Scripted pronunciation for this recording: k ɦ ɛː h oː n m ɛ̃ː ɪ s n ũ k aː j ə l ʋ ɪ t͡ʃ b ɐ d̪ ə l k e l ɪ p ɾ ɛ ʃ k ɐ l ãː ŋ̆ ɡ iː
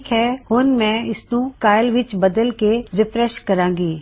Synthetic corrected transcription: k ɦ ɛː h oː n m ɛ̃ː ɪ s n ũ k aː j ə l ʋ ɪ t͡ʃ b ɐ d̪ ə l k e ɾ ɪ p ɾ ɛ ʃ k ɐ ɾ ãː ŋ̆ ɡ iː